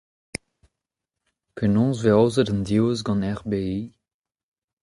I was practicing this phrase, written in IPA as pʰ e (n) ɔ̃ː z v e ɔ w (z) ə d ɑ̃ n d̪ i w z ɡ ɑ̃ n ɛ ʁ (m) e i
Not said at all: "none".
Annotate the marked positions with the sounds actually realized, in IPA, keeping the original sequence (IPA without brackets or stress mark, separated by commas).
n, z, b